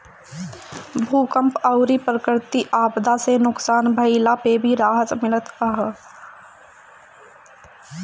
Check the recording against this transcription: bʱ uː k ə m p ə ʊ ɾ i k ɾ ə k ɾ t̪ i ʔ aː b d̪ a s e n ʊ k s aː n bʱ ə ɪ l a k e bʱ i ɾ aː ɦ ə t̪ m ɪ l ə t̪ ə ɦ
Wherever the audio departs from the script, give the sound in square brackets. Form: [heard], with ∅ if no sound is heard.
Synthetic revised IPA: bʱ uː k ə m p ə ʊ ɾ i [p] ɾ ə k ɾ t̪ i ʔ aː b d̪ a s e n ʊ k s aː n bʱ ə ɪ l a [p] e bʱ i ɾ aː ɦ ə t̪ m ɪ l ə t̪ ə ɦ